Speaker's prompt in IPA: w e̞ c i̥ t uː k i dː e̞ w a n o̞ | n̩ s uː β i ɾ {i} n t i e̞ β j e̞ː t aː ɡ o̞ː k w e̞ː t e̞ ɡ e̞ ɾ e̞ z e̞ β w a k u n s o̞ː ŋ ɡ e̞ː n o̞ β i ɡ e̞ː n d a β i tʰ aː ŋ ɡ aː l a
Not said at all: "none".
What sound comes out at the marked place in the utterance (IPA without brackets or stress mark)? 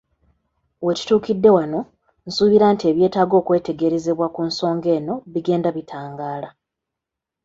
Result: a